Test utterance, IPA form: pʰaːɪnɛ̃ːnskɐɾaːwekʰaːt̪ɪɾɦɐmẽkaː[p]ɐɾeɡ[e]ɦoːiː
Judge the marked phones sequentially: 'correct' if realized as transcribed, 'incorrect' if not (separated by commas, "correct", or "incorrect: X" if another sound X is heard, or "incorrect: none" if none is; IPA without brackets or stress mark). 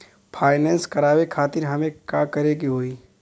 incorrect: k, incorrect: i